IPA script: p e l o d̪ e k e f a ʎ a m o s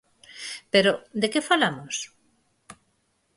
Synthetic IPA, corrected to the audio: p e ɾ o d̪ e k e f a l a m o s